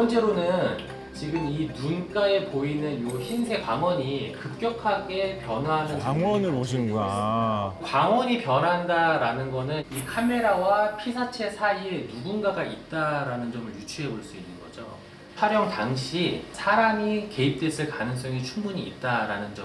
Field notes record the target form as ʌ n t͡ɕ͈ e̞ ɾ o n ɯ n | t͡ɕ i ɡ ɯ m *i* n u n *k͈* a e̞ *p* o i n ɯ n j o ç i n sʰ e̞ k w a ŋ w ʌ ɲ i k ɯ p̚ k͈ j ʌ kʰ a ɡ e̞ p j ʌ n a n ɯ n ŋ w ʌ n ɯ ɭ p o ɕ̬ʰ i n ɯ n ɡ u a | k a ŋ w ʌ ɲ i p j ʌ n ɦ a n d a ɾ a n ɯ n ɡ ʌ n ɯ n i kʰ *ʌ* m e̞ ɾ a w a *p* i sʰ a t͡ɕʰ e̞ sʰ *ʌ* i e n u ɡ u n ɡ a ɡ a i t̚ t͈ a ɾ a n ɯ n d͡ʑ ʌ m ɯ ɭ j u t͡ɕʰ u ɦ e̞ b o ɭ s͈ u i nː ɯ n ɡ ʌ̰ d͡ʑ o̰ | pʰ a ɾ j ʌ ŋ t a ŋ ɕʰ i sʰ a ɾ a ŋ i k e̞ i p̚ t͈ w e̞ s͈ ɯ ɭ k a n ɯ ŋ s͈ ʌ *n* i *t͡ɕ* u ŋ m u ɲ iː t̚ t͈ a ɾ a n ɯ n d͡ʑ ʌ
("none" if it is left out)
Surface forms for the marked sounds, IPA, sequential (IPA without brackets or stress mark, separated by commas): i, k͈, p, a, pʰ, a, ŋ, t͡ɕʰ